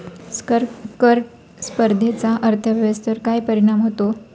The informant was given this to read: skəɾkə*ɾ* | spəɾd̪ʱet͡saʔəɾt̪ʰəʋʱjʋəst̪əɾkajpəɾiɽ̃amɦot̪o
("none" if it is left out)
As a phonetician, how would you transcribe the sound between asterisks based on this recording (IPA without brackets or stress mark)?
ɾ